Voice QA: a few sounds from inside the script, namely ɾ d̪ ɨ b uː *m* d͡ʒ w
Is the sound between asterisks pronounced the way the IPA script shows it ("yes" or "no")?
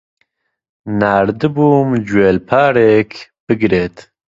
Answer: yes